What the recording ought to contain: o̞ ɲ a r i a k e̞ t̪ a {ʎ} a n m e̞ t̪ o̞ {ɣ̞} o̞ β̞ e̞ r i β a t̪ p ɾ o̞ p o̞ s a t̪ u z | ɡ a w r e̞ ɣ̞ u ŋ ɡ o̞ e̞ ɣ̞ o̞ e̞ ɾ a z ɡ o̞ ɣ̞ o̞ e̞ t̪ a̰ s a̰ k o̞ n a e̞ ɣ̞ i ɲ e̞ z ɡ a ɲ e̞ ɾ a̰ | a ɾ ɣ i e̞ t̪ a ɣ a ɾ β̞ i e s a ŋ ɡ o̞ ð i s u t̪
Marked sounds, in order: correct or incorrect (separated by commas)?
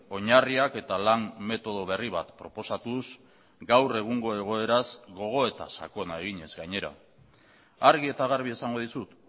incorrect, incorrect